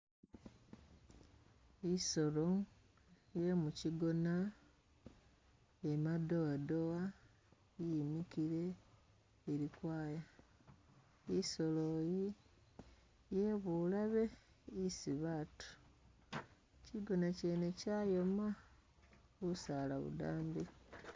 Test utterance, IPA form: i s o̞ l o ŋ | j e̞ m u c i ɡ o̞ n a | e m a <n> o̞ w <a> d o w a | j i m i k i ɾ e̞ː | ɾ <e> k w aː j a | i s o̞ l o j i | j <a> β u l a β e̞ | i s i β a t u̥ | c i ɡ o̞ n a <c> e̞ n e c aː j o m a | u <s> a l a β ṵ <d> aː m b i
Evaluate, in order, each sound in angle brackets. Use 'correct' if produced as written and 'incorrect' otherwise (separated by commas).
incorrect, correct, incorrect, incorrect, correct, correct, correct